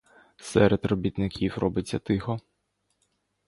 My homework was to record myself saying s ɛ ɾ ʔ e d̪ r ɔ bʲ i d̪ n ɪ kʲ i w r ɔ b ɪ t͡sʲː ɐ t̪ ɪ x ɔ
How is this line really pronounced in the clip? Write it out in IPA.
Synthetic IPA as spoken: s ɛ ɾ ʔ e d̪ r ɔ bʲ i t̪ n ɪ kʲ i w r ɔ b ɪ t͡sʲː ɐ t̪ ɪ x ɔ